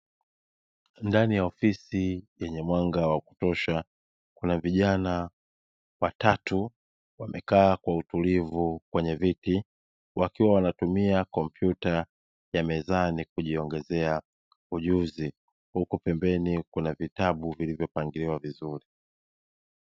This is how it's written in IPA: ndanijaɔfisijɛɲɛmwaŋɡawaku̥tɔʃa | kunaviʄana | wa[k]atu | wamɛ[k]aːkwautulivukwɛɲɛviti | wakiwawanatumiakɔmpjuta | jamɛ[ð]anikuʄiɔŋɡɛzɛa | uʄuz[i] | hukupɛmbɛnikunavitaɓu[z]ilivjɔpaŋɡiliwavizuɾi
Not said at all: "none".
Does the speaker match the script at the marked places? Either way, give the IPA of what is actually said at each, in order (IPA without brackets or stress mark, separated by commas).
t, k, z, i, v